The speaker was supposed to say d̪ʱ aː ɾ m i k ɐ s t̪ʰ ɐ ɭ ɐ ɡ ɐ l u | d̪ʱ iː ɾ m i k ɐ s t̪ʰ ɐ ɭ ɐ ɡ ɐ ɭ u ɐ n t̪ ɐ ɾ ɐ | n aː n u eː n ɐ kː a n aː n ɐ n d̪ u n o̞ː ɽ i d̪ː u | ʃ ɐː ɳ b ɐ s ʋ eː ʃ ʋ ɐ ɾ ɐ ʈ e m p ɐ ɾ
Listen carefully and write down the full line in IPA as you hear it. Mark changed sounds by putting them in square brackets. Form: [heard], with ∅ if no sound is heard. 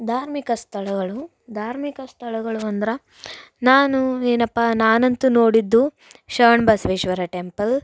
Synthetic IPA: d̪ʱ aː ɾ m i k ɐ s t̪ʰ ɐ ɭ ɐ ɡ ɐ [ɭ] u | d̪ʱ [aː] ɾ m i k ɐ s t̪ʰ ɐ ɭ ɐ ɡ ɐ ɭ u ɐ n [d̪] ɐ ɾ ɐ | n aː n u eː n ɐ [pː] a n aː n ɐ n [t̪] u n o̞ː ɽ i d̪ː u | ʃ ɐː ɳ b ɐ s ʋ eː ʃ ʋ ɐ ɾ ɐ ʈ e m p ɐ [l]